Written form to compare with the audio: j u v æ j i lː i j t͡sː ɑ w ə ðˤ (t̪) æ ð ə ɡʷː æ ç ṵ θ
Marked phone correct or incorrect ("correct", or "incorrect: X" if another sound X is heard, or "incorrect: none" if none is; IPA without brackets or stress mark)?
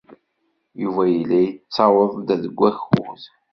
incorrect: d̪